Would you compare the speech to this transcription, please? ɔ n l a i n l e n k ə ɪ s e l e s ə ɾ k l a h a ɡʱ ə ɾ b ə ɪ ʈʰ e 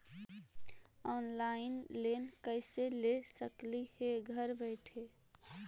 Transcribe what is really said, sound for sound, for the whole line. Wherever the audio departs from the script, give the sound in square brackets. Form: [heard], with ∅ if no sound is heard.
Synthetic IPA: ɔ n l a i n l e n k ə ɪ s e l e s ə [∅] k l [i] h [e] ɡʱ ə ɾ b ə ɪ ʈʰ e